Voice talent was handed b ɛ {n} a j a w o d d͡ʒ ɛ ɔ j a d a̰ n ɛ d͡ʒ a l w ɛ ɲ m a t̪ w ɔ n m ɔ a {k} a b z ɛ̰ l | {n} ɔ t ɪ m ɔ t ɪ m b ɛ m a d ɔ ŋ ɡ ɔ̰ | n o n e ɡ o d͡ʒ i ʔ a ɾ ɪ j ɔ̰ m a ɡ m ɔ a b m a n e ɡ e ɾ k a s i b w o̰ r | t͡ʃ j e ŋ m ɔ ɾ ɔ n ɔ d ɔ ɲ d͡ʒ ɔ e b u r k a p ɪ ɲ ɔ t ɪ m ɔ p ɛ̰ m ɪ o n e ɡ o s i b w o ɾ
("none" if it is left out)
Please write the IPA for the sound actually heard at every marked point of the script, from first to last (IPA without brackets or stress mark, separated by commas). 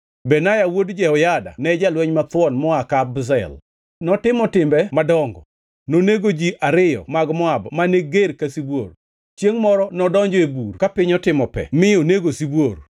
n, k, n